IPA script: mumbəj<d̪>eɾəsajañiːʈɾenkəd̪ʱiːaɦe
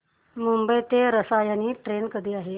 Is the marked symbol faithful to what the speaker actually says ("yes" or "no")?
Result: no